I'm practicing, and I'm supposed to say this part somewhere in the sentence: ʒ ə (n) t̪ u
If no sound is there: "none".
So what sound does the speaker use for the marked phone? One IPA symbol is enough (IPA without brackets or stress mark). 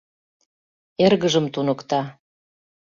m